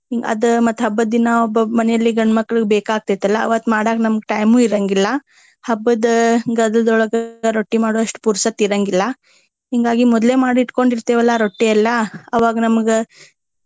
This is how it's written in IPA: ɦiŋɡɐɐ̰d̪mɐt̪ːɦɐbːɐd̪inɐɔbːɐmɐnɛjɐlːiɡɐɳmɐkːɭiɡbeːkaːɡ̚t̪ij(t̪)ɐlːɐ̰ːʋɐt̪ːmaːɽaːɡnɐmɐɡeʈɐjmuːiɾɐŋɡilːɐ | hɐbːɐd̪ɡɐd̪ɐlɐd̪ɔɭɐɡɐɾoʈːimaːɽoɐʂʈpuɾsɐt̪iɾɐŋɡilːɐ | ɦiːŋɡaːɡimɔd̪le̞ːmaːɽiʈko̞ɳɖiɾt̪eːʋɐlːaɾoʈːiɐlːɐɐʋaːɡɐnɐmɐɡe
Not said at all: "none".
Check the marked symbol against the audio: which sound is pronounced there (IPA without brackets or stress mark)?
t̪